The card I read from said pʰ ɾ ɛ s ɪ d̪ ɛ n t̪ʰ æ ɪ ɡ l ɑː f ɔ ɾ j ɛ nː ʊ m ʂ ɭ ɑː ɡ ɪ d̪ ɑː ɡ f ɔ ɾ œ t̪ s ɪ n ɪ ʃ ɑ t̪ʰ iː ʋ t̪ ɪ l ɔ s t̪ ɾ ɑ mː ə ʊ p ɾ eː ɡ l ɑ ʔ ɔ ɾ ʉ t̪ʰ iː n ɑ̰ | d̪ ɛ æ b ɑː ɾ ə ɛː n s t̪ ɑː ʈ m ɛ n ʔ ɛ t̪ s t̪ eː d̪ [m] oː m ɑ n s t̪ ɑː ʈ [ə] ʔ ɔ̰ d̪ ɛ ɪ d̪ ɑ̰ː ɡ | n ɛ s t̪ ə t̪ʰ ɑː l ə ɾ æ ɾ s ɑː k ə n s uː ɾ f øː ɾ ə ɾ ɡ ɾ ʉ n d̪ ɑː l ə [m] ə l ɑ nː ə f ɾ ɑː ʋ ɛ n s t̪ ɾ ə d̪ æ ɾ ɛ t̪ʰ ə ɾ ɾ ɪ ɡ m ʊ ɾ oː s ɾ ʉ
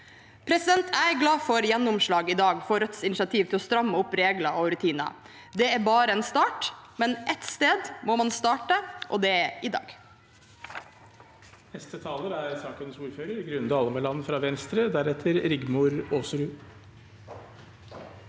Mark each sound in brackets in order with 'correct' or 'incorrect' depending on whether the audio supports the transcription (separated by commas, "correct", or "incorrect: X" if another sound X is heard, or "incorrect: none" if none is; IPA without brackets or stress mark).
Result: correct, correct, correct